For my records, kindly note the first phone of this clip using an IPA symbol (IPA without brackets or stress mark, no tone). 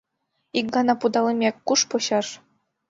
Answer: i